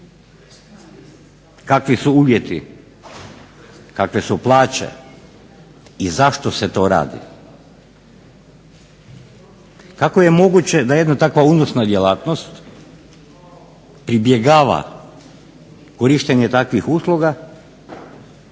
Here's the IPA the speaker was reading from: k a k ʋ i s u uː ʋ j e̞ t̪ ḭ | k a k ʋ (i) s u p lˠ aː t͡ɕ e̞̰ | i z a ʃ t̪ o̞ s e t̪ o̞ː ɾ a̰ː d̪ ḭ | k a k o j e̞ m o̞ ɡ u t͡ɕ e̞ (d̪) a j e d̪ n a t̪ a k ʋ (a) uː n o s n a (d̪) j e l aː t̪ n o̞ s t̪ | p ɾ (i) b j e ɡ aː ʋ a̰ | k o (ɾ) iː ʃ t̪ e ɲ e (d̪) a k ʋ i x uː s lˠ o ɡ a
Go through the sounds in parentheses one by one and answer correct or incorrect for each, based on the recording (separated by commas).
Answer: incorrect, correct, correct, correct, correct, correct, incorrect